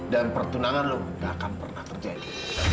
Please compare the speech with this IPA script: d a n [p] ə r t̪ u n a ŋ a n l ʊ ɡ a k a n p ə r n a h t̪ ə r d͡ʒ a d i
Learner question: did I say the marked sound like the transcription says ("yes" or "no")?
yes